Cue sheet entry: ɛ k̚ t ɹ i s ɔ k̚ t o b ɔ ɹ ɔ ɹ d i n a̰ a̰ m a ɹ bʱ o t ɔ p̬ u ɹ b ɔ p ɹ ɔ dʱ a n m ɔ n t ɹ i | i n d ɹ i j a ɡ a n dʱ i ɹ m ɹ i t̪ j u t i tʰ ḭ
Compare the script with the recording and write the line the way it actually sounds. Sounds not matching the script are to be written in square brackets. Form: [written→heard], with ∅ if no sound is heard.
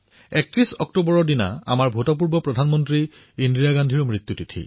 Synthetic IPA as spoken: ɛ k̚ t ɹ i s ɔ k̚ t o b ɔ ɹ ɔ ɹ d i n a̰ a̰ m a ɹ bʱ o t ɔ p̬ u ɹ b ɔ p ɹ ɔ dʱ a n m ɔ n t ɹ i | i n d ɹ i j a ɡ a n dʱ i ɹ m ɹ i t̪ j u t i tʰ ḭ